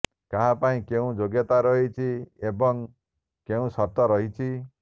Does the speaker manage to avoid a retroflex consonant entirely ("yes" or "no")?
yes